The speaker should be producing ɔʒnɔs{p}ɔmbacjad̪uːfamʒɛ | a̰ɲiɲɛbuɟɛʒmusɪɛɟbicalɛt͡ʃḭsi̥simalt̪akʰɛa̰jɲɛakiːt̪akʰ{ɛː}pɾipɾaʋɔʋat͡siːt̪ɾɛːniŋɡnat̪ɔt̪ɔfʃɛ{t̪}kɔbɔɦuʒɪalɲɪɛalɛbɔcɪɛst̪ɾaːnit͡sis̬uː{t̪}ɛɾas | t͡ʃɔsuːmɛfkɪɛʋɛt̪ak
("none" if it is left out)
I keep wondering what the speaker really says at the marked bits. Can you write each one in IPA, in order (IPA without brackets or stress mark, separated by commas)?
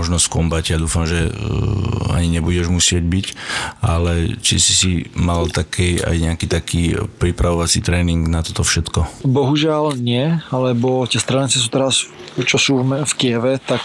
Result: k, iː, t̪, t̪